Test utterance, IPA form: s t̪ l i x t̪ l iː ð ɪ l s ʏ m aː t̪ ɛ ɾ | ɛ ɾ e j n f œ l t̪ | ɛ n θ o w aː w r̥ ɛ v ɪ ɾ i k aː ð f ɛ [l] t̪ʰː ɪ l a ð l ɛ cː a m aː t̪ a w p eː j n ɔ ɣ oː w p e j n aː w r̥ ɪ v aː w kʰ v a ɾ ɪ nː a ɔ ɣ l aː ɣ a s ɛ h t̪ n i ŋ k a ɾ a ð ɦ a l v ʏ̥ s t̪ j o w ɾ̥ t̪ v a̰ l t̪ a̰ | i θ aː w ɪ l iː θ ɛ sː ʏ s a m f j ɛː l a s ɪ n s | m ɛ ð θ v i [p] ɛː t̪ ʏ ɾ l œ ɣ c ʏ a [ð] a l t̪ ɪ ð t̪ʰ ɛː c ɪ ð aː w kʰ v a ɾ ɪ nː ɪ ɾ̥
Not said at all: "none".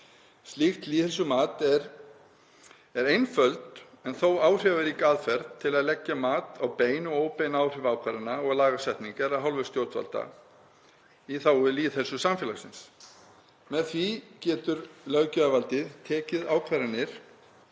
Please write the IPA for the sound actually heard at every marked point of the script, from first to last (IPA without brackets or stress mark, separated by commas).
ɾ, c, v